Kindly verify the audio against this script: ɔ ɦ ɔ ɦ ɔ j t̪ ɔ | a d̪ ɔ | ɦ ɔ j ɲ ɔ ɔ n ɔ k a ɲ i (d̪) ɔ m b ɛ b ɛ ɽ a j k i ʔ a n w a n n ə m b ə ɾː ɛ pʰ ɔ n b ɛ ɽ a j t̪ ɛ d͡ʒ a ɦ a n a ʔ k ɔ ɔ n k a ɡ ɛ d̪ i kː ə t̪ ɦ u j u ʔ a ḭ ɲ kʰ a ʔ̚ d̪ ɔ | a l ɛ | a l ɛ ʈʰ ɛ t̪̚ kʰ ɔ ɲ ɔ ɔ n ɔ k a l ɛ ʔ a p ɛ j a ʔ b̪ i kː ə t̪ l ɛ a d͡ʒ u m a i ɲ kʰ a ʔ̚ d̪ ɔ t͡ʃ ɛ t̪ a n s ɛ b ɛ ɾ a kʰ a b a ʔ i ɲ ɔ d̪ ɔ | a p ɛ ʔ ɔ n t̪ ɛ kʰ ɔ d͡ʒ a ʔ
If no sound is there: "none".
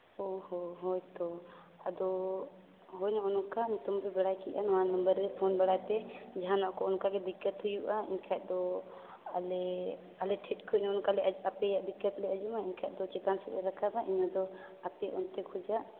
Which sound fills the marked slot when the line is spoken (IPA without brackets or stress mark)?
t̪